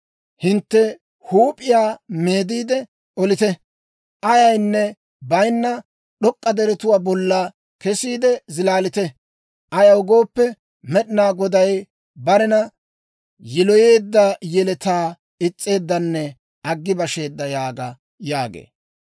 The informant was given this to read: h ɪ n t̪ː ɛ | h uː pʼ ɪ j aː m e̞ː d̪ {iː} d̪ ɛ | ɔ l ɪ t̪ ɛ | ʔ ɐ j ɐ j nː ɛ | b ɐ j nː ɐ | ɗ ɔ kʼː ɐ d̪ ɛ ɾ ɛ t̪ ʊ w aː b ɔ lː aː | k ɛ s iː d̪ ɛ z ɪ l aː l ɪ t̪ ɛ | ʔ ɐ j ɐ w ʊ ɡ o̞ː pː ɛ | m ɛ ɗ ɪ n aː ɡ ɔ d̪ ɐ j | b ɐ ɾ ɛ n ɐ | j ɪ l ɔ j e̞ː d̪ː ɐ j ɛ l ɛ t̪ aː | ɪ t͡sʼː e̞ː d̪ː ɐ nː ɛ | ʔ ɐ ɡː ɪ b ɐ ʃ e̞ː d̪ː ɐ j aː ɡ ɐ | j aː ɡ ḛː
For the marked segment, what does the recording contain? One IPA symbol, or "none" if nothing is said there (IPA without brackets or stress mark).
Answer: iː